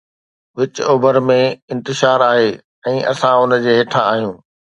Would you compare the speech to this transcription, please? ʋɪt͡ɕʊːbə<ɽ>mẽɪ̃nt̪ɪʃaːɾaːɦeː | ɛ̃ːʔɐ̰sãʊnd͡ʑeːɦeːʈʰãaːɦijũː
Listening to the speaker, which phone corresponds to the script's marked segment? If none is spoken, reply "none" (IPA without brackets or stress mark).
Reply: ɾ